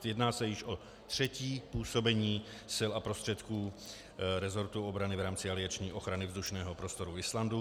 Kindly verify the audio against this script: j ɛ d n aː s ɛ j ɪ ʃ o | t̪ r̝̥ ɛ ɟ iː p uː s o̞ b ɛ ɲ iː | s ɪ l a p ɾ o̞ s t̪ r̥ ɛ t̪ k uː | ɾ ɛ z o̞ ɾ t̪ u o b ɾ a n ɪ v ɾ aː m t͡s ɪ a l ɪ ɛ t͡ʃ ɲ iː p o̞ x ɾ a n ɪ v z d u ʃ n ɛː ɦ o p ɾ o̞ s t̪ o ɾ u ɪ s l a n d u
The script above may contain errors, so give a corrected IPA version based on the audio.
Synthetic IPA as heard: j ɛ d n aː s ɛ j ɪ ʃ o | t̪ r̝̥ ɛ c iː p uː s o̞ b ɛ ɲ iː | s ɪ l a p ɾ o̞ s t̪ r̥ ɛ t̪ k uː | ɾ ɛ z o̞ ɾ t̪ u o b ɾ a n ɪ v ɾ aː m t͡s ɪ a l ɪ a t͡ʃ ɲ iː ʔ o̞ x ɾ a n ɪ v z d u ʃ n ɛː ɦ o p ɾ o̞ s t̪ o ɾ u ɪ s l a n d u